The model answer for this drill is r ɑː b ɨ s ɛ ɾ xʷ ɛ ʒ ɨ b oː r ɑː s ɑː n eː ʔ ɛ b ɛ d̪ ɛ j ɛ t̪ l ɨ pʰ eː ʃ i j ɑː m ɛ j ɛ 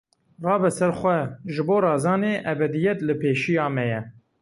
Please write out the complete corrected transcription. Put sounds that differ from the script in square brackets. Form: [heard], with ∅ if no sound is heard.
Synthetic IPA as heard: r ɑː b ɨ s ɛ ɾ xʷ ɛ ʒ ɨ b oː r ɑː [z] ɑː n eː ʔ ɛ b ɛ d̪ [i] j ɛ t̪ l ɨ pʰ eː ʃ i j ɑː m ɛ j ɛ